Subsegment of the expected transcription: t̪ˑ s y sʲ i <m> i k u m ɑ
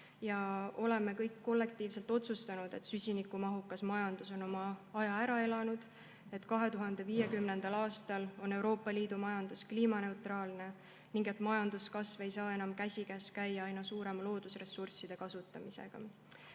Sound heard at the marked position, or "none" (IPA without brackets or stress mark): n